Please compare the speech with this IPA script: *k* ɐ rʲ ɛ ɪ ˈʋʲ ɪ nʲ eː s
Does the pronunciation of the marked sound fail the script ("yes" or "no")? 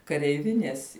no